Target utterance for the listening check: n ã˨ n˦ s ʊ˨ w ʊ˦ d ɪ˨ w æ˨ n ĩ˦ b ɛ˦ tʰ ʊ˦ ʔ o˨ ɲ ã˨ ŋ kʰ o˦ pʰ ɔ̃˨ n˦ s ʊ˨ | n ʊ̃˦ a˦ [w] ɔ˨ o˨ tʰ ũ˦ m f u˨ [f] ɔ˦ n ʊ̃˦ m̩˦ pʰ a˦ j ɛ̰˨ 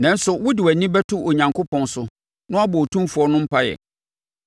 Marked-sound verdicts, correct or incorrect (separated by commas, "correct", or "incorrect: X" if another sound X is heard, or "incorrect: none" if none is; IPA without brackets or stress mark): incorrect: b, incorrect: none